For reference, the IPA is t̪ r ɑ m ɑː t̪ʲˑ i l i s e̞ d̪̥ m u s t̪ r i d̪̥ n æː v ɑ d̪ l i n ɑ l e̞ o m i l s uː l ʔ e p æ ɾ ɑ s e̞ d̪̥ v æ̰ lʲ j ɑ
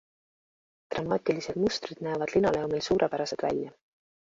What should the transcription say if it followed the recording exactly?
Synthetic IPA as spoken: t̪ r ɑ m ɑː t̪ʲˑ i l i s e̞ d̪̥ m u s t̪ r i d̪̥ n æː v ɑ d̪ l i n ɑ l e̞ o m i l s uː ɾ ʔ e p æ ɾ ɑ s e̞ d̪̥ v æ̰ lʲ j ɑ